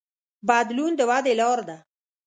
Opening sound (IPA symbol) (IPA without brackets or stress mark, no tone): b